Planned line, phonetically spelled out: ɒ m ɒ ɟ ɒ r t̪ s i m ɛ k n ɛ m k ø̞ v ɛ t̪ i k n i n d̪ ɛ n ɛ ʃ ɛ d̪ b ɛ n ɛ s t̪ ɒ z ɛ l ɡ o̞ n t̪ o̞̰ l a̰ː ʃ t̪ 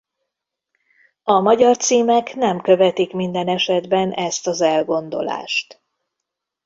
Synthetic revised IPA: ɒ m ɒ ɟ ɒ r t̪ s iː m ɛ k n ɛ m k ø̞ v ɛ t̪ i k m i n d̪ ɛ n ɛ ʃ ɛ d̪ b ɛ n ɛ s t̪ ɒ z ɛ l ɡ o̞ n d̪ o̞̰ l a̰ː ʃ t̪